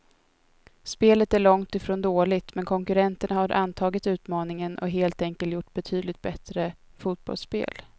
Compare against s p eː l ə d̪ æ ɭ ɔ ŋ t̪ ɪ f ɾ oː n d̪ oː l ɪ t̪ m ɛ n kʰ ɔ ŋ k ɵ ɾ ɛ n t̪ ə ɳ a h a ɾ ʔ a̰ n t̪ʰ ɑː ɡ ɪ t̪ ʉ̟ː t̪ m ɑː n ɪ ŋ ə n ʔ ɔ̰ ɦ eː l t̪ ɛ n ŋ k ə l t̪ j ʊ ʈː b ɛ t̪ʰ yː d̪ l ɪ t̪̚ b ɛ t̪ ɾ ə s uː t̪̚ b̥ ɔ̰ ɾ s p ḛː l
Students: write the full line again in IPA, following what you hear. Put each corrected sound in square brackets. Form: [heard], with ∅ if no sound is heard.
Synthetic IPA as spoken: s p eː l ə [t̪] æ ɭ ɔ ŋ t̪ ɪ f ɾ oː n d̪ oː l ɪ t̪ m ɛ n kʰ ɔ ŋ k ɵ ɾ ɛ n t̪ ə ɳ a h a ɾ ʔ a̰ n t̪ʰ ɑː ɡ ɪ t̪ ʉ̟ː t̪ m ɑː n ɪ ŋ ə n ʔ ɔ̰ ɦ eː l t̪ ɛ [∅] ŋ k ə l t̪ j ʊ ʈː b ɛ t̪ʰ yː d̪ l ɪ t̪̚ b ɛ t̪ ɾ ə [f] uː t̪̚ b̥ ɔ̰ [l] s p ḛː l